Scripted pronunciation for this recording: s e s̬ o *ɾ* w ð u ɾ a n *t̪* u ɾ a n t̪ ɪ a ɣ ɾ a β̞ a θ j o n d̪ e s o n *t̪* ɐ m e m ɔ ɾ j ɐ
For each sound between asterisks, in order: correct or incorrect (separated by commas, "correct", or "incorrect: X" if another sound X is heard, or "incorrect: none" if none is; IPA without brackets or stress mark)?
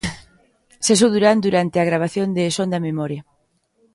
incorrect: none, incorrect: d̪, incorrect: d̪